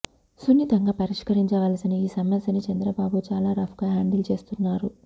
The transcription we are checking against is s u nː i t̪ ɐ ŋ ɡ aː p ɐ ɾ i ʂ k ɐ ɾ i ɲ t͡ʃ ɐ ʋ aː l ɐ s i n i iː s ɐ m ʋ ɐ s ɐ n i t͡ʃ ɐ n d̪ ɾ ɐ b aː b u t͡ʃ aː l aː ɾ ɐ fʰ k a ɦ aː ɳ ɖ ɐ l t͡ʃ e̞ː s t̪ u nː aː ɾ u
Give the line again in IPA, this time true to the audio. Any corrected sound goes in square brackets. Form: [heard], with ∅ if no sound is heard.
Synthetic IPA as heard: s u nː i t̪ ɐ ŋ ɡ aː p ɐ ɾ i ʂ k ɐ ɾ i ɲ t͡ʃ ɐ ʋ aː l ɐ s i n i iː s ɐ m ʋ ɐ s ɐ n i t͡ʃ ɐ n d̪ ɾ ɐ b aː b u t͡ʃ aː l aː ɾ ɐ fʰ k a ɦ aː ɳ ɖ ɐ l t͡ʃ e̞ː s t̪ u nː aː ɾ u